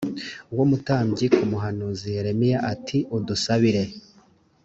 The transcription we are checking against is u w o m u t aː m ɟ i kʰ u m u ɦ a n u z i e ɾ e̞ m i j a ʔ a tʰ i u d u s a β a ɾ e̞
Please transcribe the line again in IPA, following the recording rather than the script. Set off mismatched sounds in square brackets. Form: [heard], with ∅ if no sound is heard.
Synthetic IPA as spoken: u w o m u t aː m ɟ i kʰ u m u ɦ a n u z i e ɾ e̞ m i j a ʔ a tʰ i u d u s a β [i] ɾ e̞